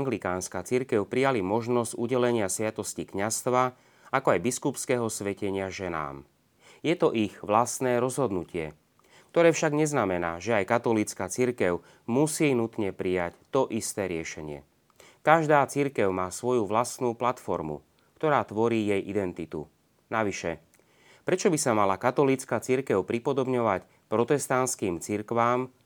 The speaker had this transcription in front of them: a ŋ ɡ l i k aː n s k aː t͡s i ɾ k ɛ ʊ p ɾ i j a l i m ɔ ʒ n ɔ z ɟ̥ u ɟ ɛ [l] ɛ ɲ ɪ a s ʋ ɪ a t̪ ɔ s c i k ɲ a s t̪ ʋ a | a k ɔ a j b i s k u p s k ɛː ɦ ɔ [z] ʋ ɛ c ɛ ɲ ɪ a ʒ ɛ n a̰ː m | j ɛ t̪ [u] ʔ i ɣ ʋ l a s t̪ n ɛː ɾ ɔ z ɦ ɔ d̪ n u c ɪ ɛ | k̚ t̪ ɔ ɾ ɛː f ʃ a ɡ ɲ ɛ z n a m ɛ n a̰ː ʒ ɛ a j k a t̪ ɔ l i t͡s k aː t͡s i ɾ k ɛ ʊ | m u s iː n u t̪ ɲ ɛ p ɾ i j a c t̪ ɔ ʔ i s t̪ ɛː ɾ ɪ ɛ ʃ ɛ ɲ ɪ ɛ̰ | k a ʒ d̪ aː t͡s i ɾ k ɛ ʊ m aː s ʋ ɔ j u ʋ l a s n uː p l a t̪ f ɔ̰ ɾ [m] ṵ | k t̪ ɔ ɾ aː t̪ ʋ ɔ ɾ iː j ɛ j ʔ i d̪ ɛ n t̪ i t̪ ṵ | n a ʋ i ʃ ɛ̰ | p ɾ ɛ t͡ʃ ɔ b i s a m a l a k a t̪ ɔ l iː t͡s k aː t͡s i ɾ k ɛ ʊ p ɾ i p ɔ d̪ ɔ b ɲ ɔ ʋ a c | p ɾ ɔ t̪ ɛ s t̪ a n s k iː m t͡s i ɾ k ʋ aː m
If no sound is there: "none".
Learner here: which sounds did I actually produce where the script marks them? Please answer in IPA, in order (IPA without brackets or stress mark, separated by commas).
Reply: l, s, ɔ, m